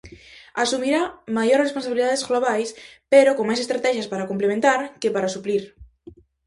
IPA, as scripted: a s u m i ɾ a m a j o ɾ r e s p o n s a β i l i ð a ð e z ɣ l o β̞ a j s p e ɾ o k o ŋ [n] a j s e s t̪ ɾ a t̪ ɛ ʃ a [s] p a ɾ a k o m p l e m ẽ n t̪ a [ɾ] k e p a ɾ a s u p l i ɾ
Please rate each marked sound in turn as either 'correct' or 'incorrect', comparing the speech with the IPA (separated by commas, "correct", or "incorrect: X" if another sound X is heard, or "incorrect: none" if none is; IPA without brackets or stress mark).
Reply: incorrect: m, correct, correct